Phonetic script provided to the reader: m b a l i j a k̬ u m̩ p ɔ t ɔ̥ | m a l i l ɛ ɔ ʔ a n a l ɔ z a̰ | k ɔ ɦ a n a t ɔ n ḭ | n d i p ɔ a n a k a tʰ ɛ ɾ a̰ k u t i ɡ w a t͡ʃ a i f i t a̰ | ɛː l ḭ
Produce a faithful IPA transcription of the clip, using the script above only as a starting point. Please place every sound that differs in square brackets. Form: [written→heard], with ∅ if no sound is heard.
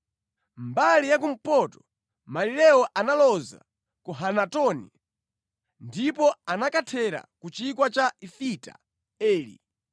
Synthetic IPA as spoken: m b a l i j a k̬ u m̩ p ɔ t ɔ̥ | m a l i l ɛ ɔ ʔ a n a l ɔ z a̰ | k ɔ ɦ a n a t ɔ n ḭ | n d i p ɔ a n a k a tʰ ɛ ɾ a̰ k u [t→t͡ʃ] i [ɡ→k] w a t͡ʃ a i f i t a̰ | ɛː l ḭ